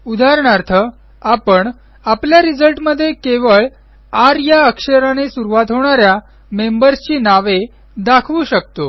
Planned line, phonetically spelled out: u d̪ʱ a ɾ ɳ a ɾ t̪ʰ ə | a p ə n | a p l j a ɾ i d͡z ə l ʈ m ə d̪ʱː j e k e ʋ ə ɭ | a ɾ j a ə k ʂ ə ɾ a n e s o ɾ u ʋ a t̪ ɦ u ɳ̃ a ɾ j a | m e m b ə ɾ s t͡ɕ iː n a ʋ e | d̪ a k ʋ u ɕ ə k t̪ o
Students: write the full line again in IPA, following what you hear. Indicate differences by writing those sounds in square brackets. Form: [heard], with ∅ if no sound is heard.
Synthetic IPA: u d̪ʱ a ɾ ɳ a ɾ t̪ʰ ə | a p ə [ɳ] | a p l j a ɾ i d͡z ə l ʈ m ə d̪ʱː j e k e ʋ ə ɭ | a ɾ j a ə k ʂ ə ɾ a n e s [u] ɾ u ʋ a t̪ ɦ [o] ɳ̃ a ɾ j a | m e m b ə ɾ s t͡ɕ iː n a ʋ e | d̪ a [kʰ] ʋ u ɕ ə k t̪ o